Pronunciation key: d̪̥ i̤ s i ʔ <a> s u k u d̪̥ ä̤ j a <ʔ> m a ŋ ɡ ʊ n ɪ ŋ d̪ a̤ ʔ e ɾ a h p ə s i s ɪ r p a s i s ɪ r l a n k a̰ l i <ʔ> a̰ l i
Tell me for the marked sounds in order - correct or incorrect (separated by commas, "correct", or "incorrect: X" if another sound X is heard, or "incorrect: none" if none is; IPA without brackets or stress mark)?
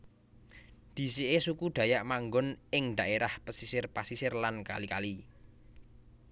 incorrect: e, correct, incorrect: k